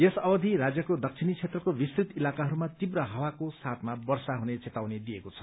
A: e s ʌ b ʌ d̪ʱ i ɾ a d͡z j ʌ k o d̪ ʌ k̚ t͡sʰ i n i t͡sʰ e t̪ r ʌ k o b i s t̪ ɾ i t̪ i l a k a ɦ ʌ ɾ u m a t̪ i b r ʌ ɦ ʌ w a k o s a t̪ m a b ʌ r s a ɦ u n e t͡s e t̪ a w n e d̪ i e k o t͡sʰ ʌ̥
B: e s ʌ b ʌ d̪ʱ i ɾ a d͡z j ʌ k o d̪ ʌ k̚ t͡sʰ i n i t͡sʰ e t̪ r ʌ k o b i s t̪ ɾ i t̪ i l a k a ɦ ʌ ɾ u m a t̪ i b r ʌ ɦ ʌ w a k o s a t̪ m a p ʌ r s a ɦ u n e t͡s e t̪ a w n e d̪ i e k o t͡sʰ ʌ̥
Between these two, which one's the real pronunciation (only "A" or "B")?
A